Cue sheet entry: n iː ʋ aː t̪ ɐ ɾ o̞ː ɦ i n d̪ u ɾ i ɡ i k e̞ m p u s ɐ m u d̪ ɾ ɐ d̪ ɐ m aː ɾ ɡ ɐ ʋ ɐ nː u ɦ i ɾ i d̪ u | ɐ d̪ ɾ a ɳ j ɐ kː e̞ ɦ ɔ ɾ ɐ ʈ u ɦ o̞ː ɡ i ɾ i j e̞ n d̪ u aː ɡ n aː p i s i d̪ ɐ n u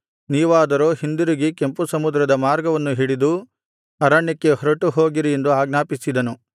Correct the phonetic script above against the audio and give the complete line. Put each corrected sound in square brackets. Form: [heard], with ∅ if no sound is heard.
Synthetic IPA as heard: n iː ʋ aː [d̪] ɐ ɾ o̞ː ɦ i n d̪ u ɾ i ɡ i k e̞ m p u s ɐ m u d̪ ɾ ɐ d̪ ɐ m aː ɾ ɡ ɐ ʋ ɐ nː u ɦ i [ɽ] i d̪ u | ɐ [∅] ɾ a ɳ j ɐ kː e̞ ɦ ɔ ɾ ɐ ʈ u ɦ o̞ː ɡ i ɾ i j e̞ n d̪ u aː ɡ n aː p i s i d̪ ɐ n u

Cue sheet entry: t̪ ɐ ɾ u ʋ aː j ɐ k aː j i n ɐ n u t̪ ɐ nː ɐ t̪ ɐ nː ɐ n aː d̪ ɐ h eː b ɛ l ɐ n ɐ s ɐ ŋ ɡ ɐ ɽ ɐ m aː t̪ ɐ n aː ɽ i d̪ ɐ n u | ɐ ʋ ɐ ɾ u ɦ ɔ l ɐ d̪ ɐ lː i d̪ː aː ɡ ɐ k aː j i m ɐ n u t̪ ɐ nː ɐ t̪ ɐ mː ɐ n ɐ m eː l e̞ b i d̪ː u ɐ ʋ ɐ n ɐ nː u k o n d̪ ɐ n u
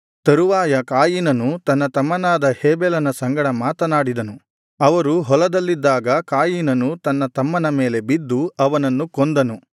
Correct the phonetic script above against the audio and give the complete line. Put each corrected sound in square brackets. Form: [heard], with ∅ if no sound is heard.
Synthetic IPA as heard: t̪ ɐ ɾ u ʋ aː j ɐ k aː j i n ɐ n u t̪ ɐ nː ɐ t̪ ɐ [mː] ɐ n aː d̪ ɐ h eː b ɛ l ɐ n ɐ s ɐ ŋ ɡ ɐ ɽ ɐ m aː t̪ ɐ n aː ɽ i d̪ ɐ n u | ɐ ʋ ɐ ɾ u ɦ ɔ l ɐ d̪ ɐ lː i d̪ː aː ɡ ɐ k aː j i [n] ɐ n u t̪ ɐ nː ɐ t̪ ɐ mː ɐ n ɐ m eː l e̞ b i d̪ː u ɐ ʋ ɐ n ɐ nː u k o n d̪ ɐ n u

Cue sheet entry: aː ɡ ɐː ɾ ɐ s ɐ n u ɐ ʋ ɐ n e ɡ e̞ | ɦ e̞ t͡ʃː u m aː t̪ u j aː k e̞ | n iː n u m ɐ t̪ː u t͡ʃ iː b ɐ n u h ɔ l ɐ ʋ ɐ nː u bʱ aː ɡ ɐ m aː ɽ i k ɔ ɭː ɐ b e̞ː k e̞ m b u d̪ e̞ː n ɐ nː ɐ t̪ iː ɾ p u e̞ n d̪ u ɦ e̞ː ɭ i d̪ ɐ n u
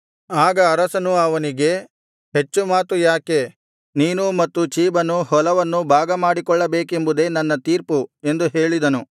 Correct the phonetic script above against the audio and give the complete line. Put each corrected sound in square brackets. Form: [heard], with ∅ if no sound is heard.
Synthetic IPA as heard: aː ɡ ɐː ɾ ɐ s ɐ n u ɐ ʋ ɐ n [i] ɡ e̞ | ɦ e̞ t͡ʃː u m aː t̪ u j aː k e̞ | n iː n u m ɐ t̪ː u t͡ʃ iː b ɐ n u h ɔ l ɐ ʋ ɐ nː u bʱ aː ɡ ɐ m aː ɽ i k ɔ ɭː ɐ b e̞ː k e̞ m b u d̪ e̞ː n ɐ nː ɐ t̪ iː ɾ p u e̞ n d̪ u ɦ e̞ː ɭ i d̪ ɐ n u

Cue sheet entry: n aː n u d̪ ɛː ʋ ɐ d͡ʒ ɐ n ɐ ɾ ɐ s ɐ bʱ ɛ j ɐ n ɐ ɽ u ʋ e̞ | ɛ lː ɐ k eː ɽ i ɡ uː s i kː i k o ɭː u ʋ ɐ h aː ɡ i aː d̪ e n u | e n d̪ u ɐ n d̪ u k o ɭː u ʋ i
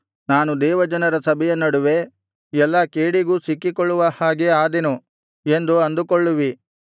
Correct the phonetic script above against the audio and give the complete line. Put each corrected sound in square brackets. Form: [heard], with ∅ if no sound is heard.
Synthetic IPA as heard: n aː n u d̪ ɛː ʋ ɐ d͡ʒ ɐ n ɐ ɾ ɐ s ɐ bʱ ɛ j ɐ n ɐ ɽ u ʋ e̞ | ɛ lː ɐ k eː ɽ i ɡ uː s i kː i k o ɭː u ʋ ɐ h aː ɡ [e] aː d̪ e n u | e n d̪ u ɐ n d̪ u k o ɭː u ʋ i

